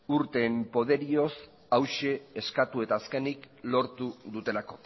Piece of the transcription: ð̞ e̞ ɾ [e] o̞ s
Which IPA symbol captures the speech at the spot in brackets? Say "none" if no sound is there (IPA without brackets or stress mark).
i